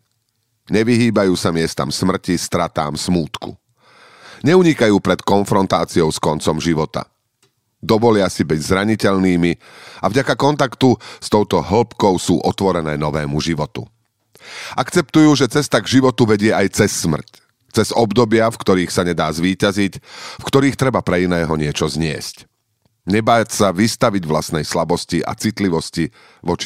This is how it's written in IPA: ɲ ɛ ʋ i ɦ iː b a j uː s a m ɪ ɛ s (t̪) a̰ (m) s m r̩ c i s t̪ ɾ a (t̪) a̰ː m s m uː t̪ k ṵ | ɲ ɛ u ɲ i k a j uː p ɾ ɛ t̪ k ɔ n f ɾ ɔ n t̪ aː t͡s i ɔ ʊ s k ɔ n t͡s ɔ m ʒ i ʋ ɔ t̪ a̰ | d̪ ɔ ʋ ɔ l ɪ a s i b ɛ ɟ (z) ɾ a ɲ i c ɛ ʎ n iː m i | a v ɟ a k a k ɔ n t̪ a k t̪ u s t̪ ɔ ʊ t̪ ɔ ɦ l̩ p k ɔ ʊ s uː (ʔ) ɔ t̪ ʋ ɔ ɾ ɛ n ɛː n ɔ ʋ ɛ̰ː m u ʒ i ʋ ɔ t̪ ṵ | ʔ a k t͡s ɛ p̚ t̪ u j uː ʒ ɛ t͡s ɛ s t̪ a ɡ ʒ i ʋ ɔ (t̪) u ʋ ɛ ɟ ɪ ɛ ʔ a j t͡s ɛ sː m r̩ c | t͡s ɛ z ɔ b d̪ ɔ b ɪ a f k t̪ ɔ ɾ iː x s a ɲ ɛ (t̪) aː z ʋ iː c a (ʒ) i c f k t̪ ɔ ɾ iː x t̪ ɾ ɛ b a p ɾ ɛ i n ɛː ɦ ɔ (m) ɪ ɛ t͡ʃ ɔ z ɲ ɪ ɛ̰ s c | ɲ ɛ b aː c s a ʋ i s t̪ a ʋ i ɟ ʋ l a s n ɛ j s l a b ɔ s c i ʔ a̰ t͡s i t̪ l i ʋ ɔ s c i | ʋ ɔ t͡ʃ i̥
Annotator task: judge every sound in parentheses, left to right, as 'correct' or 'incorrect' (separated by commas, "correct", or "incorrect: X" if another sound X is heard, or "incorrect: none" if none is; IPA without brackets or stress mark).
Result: correct, correct, correct, correct, correct, correct, incorrect: d̪, incorrect: z, incorrect: ɲ